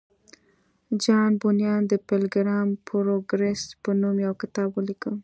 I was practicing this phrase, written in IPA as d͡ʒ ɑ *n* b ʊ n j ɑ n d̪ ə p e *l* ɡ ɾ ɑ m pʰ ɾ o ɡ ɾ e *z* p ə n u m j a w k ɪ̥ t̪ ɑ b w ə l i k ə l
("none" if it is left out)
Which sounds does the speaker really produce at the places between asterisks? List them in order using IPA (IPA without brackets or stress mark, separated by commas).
n, l, s